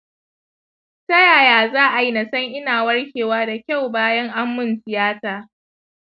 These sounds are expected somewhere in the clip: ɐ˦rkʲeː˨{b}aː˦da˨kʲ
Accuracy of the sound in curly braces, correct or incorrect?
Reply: incorrect: w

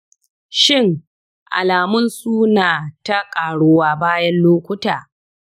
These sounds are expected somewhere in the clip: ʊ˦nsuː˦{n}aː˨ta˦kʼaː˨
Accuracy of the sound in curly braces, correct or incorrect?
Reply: correct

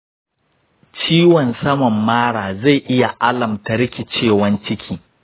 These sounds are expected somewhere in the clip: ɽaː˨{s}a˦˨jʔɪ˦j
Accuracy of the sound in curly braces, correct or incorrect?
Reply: incorrect: z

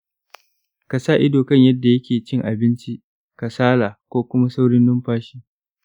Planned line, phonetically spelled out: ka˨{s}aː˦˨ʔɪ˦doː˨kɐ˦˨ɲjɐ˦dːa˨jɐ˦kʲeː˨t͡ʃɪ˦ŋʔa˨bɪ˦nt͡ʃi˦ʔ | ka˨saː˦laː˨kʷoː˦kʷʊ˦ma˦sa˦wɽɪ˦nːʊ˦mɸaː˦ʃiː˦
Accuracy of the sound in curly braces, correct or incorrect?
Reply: correct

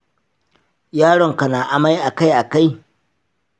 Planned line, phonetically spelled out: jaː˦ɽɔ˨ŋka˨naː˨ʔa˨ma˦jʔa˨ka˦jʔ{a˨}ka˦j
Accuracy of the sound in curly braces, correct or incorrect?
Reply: correct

